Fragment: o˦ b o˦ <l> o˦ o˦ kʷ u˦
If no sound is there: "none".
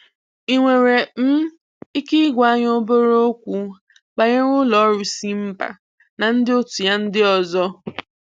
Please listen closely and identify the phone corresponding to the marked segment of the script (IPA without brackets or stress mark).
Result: ɾ